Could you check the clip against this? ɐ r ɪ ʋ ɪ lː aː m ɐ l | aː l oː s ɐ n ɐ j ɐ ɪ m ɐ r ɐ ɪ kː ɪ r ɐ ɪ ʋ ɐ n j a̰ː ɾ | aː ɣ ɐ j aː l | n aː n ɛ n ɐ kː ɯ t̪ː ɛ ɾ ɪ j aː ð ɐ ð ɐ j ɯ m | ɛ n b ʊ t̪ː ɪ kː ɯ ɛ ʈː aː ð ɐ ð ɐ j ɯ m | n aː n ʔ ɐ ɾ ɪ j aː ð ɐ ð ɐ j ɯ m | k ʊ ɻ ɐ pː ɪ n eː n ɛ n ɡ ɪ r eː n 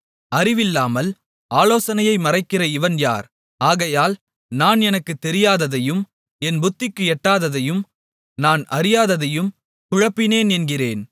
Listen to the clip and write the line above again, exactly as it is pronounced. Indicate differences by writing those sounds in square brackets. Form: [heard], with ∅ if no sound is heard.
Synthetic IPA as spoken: ɐ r ɪ ʋ ɪ lː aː m ɐ l | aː l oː s ɐ n ɐ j ɐ ɪ m ɐ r ɐ ɪ kː ɪ r ɐ ɪ ʋ ɐ n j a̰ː ɾ | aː ɣ ɐ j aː l | n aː n ɛ n ɐ kː ɯ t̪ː ɛ ɾ ɪ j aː ð ɐ ð ɐ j ɯ m | ɛ n b ʊ t̪ː ɪ kː ɯ ɛ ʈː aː ð ɐ ð ɐ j ɯ m | n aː n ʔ ɐ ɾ ɪ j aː ð ɐ ð ɐ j ɯ m | k ʊ ɻ ɐ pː ɪ n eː n ɛ n ɡ ɪ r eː n